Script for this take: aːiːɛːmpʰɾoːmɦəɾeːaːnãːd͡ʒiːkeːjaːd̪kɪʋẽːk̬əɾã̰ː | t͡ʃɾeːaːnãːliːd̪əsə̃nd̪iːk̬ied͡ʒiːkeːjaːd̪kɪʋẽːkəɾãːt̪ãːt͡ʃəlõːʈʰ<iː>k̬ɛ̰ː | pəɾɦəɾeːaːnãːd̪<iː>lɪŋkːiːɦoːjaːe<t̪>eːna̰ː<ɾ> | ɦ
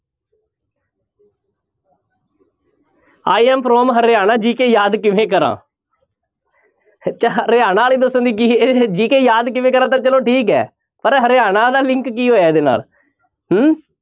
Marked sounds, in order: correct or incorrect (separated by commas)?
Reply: correct, incorrect, incorrect, incorrect